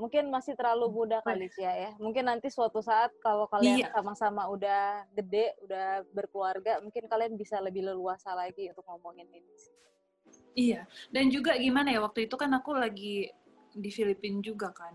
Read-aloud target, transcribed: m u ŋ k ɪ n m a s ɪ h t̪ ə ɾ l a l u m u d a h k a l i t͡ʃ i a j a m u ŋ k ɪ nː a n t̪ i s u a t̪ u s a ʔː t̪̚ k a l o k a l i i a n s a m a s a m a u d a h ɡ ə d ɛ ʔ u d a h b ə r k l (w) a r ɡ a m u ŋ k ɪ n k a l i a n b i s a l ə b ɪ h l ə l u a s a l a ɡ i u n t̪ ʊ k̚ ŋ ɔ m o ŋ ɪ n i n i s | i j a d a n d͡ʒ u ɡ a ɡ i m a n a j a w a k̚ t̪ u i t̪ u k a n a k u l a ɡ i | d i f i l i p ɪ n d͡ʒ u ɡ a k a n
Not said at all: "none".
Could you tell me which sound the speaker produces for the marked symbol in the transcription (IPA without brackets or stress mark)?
u